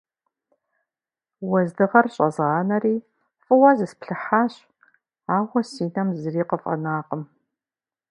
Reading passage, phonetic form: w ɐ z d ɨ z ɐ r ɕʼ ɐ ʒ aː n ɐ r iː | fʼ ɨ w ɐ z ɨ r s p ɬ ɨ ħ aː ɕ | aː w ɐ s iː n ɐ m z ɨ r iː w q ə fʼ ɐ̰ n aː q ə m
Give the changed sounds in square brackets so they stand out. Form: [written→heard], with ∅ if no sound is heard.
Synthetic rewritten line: w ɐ z d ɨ [z→ʁ] ɐ r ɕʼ ɐ [ʒ→z] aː n ɐ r iː | fʼ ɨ w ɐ z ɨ [r→∅] s p ɬ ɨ ħ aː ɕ | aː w ɐ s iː n ɐ m z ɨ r iː [w→∅] q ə fʼ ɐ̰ n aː q ə m